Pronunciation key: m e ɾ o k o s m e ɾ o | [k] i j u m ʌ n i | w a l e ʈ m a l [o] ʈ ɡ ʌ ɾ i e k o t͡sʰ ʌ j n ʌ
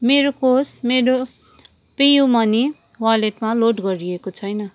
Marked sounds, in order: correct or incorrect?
incorrect, correct

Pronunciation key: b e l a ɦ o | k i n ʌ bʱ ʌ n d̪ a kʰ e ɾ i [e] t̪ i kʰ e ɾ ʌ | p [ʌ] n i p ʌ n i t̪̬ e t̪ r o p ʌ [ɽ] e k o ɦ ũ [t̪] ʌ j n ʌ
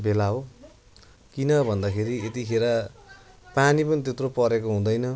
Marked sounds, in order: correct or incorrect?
correct, incorrect, incorrect, incorrect

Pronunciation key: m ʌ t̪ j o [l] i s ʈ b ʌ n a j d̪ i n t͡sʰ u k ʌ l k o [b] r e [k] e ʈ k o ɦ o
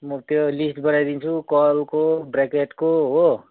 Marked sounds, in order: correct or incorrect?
correct, correct, correct

